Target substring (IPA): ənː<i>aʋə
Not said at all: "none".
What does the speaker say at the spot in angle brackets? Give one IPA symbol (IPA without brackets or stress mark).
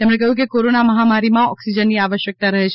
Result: i